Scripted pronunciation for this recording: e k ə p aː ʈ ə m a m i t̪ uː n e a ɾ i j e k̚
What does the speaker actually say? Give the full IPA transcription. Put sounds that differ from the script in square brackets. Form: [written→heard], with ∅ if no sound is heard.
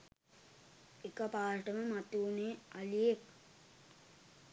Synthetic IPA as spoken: e k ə p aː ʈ ə m [a→ə] m [i→a] t̪ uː n e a [ɾ→l] i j e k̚